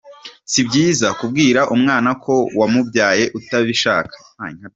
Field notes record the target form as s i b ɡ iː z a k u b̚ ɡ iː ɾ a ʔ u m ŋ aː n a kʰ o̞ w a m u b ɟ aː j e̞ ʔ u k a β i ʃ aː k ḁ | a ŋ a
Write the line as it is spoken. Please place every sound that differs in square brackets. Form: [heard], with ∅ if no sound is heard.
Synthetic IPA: s i b [ɟ] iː z a k u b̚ ɡ iː ɾ a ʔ u m ŋ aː n a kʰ o̞ w a m u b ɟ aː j e̞ ʔ u [t] a β i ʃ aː k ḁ | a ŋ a